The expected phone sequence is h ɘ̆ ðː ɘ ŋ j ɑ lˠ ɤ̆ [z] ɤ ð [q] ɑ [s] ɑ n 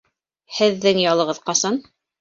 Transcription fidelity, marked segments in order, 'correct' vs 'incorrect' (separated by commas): incorrect, correct, correct